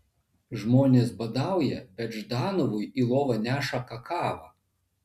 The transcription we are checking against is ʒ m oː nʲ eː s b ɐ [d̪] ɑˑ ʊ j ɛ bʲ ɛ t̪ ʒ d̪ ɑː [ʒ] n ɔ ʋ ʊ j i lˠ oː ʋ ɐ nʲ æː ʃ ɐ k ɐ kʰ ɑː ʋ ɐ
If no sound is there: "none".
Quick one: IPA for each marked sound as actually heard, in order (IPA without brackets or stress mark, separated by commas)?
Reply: d̪, none